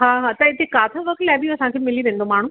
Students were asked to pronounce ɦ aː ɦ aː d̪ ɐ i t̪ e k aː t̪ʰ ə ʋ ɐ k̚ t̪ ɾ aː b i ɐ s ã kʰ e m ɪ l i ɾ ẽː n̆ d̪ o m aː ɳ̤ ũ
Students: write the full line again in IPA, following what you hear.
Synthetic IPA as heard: ɦ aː ɦ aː t̪ ɐ ɪ t̪ e k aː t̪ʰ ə ʋ ɐ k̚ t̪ l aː b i ɐ s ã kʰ e m ɪ l i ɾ ẽː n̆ d̪ o m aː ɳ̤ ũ